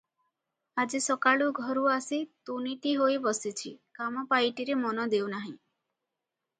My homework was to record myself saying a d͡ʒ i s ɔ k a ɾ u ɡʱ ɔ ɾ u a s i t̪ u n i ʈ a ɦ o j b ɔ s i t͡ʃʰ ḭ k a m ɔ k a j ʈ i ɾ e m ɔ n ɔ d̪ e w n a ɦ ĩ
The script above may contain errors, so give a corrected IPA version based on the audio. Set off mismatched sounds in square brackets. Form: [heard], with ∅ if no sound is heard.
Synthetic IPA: a d͡ʒ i s ɔ k a [ɭ] u ɡʱ ɔ ɾ u a s i t̪ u n i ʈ [i] ɦ o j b ɔ s i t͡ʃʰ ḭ k a m ɔ [p] a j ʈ i ɾ e m ɔ n ɔ d̪ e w n a ɦ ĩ

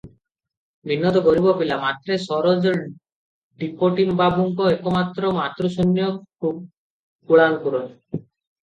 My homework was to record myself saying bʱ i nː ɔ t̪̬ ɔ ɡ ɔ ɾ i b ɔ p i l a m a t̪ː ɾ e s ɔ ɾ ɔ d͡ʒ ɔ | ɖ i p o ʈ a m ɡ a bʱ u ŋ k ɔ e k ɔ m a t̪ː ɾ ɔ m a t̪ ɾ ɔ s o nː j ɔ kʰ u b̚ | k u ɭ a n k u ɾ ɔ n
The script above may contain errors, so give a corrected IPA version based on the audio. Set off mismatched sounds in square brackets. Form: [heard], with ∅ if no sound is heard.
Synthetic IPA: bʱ i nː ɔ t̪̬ ɔ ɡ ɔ ɾ i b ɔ p i l a m a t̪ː ɾ e s ɔ ɾ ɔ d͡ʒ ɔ | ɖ i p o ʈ [i] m [b] a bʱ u ŋ k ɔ e k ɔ m a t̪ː ɾ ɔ m a t̪ ɾ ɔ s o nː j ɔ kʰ u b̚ | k u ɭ a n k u ɾ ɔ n

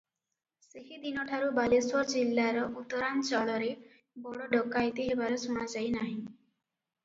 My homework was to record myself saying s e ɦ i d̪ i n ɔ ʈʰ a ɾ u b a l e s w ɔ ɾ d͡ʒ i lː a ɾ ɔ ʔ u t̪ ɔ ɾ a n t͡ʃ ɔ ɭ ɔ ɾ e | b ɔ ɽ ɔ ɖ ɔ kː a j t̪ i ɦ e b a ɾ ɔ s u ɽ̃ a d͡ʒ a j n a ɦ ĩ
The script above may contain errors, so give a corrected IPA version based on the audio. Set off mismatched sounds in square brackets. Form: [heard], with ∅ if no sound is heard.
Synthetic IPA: s e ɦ i d̪ i n ɔ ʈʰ a ɾ u b a l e s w ɔ ɾ d͡ʒ i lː a ɾ ɔ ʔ u t̪ ɔ ɾ a n t͡ʃ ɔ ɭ ɔ ɾ e | b ɔ ɽ ɔ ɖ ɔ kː a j t̪ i ɦ e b a ɾ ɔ s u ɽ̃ a d͡ʒ a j n a ɦ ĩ

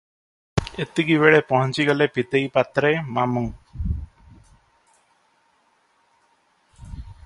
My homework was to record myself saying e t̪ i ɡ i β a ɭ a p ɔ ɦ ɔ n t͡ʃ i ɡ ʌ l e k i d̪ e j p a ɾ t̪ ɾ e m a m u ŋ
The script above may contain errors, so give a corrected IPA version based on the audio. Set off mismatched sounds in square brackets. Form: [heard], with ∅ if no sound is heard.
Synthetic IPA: e t̪ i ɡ i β [e] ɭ [e] p ɔ ɦ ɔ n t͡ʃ i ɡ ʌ l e [p] i [t̪] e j p a [∅] t̪ ɾ e m a m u ŋ

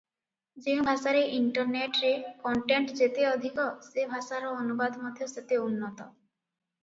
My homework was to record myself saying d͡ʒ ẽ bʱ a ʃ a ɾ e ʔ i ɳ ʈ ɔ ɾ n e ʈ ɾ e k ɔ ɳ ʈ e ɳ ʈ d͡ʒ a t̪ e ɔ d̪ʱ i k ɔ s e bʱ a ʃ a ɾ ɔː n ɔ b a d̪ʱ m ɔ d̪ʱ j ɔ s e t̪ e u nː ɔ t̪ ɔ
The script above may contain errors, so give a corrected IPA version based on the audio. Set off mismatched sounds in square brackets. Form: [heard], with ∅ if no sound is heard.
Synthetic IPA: d͡ʒ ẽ bʱ a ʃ a ɾ e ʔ i ɳ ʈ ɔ ɾ n e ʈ ɾ e k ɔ ɳ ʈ e ɳ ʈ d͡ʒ [e] t̪ e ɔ d̪ʱ i k ɔ s e bʱ a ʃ a ɾ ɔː n [u] b a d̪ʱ m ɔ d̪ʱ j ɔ s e t̪ e u nː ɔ t̪ ɔ

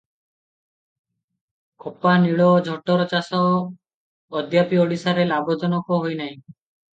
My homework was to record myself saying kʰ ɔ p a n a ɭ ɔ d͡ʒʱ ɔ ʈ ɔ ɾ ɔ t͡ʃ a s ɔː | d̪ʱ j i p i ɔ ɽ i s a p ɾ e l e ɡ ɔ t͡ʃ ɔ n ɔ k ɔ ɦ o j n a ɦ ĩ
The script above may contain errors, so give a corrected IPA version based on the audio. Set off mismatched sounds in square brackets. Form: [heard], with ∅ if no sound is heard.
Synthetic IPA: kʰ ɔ p a n [i] ɭ ɔ d͡ʒʱ ɔ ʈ ɔ ɾ ɔ t͡ʃ a s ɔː | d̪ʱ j [a] p i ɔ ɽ i s a [∅] ɾ e l [a] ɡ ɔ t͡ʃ ɔ n ɔ k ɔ ɦ o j n a ɦ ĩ

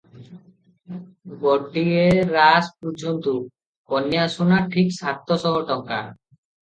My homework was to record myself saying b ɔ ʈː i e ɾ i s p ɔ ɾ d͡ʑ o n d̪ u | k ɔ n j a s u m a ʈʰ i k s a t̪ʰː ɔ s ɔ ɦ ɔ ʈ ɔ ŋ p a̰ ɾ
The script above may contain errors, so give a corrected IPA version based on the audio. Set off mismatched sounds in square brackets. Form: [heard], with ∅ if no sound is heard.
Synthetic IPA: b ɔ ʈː i e ɾ [a] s p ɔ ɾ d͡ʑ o n [t̪] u | k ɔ n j a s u [n] a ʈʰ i k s a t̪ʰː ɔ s ɔ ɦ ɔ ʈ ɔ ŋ [k] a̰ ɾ

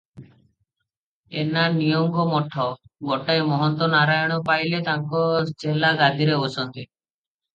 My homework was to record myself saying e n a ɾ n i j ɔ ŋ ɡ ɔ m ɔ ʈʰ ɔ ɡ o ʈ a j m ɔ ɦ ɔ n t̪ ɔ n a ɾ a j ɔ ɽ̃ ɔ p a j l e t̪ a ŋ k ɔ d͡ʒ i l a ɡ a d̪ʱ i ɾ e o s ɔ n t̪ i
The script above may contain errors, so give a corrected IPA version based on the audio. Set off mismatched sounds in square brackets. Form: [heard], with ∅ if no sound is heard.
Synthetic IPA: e n a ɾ n i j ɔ ŋ ɡ ɔ m ɔ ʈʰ ɔ ɡ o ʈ a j m ɔ ɦ ɔ n t̪ ɔ n a ɾ a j ɔ ɽ̃ ɔ p a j l e t̪ a ŋ k ɔ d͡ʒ [e] l a ɡ a d̪ʱ i ɾ e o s ɔ n t̪ i

